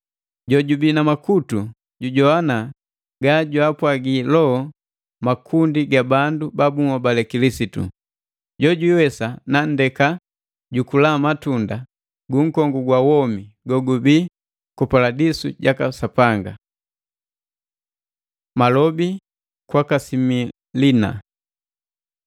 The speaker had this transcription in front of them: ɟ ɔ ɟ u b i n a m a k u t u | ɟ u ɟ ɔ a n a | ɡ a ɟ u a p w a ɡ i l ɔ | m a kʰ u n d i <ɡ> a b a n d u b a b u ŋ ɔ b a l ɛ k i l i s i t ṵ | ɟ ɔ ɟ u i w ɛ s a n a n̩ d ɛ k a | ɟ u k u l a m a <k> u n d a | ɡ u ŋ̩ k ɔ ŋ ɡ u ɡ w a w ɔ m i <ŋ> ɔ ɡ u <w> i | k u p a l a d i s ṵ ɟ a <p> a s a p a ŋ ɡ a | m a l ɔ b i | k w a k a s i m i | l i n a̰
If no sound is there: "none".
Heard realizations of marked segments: ɡ, t, ɡ, b, k

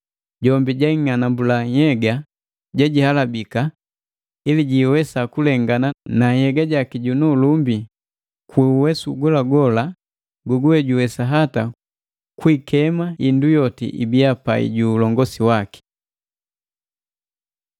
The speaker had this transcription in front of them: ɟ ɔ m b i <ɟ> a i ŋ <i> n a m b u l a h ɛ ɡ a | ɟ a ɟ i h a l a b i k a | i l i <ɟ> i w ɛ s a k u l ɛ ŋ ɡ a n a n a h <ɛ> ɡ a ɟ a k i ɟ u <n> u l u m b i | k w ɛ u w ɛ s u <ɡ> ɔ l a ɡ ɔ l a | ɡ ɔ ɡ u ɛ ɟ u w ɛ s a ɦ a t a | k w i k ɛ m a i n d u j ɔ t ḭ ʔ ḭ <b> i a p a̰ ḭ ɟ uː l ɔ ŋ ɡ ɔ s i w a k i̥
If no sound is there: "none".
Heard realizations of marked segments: ɟ, a, ɟ, ɛ, n, ɡ, b

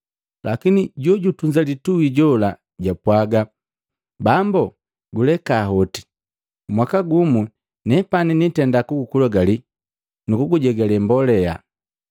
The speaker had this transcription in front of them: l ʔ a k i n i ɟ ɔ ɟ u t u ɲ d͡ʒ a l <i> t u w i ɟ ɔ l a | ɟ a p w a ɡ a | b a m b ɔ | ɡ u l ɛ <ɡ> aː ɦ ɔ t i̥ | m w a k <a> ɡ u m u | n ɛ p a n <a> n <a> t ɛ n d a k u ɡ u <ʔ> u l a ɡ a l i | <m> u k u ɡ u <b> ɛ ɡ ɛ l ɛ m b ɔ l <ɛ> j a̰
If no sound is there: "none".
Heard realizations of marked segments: i, k, a, i, i, k, n, ɟ, ɛ

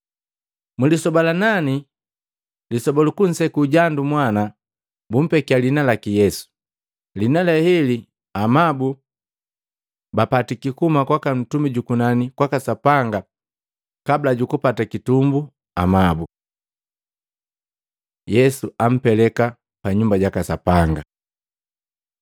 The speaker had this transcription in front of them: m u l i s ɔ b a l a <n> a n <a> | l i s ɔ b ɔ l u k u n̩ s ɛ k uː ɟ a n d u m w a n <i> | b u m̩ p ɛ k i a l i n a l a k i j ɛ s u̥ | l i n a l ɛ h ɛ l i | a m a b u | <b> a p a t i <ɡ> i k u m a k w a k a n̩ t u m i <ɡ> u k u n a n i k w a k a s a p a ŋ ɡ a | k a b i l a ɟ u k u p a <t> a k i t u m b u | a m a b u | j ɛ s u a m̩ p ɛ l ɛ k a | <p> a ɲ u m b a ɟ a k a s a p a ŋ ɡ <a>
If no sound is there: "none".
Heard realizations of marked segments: n, i, a, b, k, ɟ, t, p, a

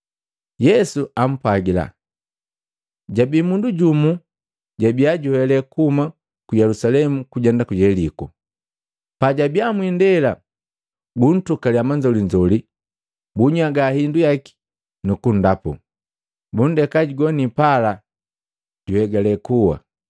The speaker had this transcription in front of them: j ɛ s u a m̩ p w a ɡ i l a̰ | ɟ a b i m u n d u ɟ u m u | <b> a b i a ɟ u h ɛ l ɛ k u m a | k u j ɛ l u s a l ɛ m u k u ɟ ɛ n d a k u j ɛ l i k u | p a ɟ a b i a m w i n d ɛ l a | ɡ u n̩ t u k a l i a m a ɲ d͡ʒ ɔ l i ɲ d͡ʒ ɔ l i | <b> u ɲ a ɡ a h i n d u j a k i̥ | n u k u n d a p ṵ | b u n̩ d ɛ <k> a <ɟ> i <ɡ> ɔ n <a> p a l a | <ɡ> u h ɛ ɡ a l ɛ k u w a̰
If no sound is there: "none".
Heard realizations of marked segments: ɟ, b, k, ɟ, ɡ, i, ɟ

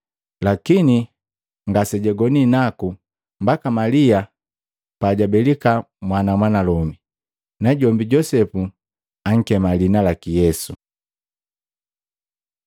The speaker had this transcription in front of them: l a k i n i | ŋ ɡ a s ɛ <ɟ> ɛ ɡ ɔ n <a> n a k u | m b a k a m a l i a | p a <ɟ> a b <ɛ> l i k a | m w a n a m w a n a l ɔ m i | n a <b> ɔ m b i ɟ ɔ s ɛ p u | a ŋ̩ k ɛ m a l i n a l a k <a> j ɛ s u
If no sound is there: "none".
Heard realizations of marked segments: ɟ, i, ɟ, ɛ, ɟ, i

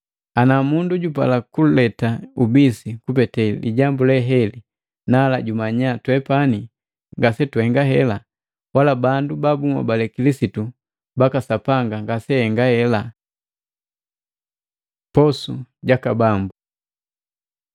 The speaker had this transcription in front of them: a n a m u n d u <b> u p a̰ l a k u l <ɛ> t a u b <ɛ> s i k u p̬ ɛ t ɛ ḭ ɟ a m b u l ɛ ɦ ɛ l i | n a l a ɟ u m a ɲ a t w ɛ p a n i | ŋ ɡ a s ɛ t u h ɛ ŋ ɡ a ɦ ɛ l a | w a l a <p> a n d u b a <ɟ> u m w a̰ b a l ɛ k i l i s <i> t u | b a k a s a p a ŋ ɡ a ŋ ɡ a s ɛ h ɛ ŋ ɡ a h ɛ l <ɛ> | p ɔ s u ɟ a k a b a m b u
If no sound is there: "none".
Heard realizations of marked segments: ɟ, ɛ, i, b, b, i, a

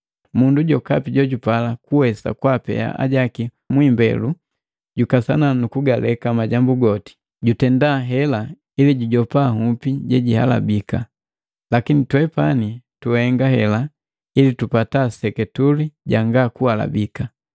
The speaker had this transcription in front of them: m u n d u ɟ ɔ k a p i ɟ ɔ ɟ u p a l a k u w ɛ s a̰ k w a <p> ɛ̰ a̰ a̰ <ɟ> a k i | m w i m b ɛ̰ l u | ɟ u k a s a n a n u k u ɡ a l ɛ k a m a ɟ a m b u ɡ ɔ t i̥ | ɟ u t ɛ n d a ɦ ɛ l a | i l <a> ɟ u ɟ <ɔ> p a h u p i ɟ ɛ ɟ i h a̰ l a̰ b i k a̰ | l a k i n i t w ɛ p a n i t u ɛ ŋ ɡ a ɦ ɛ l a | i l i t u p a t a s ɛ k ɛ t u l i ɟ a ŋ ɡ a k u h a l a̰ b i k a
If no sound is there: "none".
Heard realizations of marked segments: p, ɟ, i, ɔ

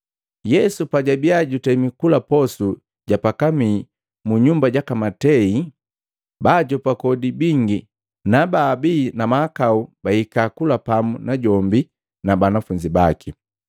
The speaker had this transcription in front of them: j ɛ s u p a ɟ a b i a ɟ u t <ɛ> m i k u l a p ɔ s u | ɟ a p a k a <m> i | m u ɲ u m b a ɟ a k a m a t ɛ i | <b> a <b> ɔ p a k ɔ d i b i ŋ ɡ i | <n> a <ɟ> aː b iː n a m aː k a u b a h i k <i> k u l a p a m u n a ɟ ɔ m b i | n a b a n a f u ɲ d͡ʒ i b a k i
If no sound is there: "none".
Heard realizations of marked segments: ɛ, m, b, ɟ, n, b, a

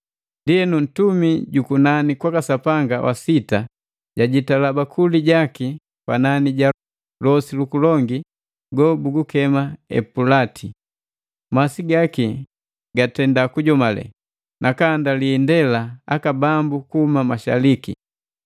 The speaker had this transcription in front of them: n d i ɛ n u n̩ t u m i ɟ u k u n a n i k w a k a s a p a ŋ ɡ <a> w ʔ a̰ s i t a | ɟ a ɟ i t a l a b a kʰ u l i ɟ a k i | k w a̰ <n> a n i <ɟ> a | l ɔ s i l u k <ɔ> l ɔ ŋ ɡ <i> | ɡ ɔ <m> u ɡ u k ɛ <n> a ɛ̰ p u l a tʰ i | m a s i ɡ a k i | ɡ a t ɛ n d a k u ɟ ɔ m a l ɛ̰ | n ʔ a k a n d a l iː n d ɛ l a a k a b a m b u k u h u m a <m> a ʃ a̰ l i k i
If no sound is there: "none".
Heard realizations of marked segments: a, n, ɟ, u, i, b, m, m

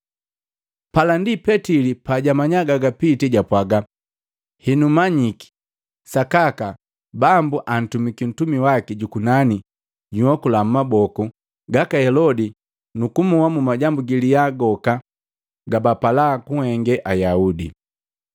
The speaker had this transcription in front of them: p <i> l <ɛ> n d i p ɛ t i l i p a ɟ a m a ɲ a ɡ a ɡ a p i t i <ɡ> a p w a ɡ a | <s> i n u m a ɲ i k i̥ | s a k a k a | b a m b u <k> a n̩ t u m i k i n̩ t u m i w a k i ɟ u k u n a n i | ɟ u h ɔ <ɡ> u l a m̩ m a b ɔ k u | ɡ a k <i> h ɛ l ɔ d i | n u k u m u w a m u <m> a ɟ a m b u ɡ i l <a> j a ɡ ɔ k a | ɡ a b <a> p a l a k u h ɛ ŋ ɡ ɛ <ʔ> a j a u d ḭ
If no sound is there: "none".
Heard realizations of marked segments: a, a, ɟ, h, ʔ, k, a, m, i, a, ʔ

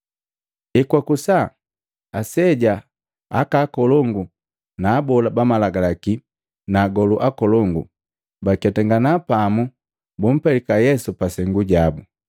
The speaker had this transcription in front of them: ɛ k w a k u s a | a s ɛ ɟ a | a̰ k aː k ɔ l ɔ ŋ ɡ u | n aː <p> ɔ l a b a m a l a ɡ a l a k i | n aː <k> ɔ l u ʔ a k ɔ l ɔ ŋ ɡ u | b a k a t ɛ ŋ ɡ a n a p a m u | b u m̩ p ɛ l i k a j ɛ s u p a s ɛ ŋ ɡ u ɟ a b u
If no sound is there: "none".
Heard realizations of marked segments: b, ɡ

